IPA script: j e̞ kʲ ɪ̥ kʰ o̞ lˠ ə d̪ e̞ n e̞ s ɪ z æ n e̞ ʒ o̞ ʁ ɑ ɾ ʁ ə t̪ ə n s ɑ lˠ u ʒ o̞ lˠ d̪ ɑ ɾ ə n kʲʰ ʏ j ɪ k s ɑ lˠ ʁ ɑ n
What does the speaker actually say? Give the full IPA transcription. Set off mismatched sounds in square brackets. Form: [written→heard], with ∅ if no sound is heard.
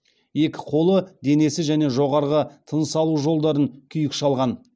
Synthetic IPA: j e̞ kʲ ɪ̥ [kʰ→qʰ] o̞ lˠ ə d̪ e̞ n e̞ s ɪ [z→ʒ] æ n e̞ ʒ o̞ ʁ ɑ ɾ ʁ ə [t̪→t̪ʰ] ə n s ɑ lˠ u ʒ o̞ lˠ d̪ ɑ ɾ ə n kʲʰ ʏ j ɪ k [s→ʃ] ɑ lˠ ʁ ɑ n